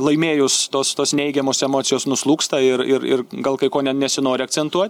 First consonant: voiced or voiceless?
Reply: voiced